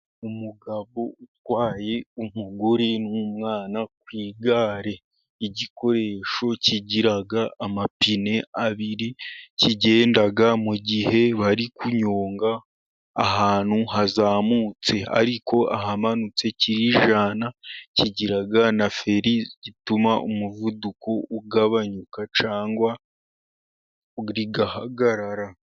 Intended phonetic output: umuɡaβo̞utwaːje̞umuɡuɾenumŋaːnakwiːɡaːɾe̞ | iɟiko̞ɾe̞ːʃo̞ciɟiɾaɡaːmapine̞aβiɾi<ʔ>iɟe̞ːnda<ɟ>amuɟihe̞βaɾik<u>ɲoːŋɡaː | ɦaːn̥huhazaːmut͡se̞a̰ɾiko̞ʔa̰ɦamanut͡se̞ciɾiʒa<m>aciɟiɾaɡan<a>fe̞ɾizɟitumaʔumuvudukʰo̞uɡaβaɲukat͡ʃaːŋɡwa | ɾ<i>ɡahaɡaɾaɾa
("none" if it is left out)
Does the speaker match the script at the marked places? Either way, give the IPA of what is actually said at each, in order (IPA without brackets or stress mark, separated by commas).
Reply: c, ɡ, u, n, a, i